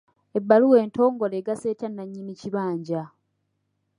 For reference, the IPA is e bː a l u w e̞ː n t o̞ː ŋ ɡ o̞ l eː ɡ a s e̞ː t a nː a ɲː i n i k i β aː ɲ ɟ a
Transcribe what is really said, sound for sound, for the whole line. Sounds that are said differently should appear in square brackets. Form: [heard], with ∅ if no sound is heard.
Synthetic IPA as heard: e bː a l u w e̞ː n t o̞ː ŋ ɡ o̞ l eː ɡ a s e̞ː t a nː a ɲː i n i [c] i β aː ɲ ɟ a